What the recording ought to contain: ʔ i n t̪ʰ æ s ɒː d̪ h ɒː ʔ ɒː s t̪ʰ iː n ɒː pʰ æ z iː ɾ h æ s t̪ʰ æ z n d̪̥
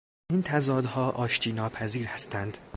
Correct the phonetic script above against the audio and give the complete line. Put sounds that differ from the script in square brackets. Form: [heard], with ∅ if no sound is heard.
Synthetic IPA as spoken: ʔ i n t̪ʰ æ [z] ɒː d̪ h ɒː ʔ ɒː [ʃ] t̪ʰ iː n ɒː pʰ æ z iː ɾ h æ s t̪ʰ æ [∅] n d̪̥